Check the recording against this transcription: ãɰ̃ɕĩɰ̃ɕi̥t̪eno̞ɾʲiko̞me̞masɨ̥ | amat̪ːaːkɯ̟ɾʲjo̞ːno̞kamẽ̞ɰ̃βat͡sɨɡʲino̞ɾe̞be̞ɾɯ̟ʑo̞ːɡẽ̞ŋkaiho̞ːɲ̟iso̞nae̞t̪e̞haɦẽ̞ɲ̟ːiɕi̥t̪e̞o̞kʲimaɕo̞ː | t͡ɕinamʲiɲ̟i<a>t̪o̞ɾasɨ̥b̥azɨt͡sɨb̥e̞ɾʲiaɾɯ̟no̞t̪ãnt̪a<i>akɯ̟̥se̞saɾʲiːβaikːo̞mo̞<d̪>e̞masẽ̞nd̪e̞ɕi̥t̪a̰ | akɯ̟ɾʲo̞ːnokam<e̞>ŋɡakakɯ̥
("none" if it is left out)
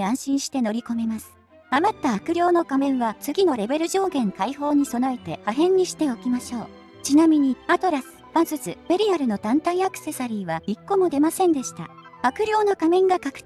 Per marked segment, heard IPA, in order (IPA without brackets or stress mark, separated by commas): a, i, d̪, ẽ̞